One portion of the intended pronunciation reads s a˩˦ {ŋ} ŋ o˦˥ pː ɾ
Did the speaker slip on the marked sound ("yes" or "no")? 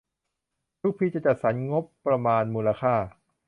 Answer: yes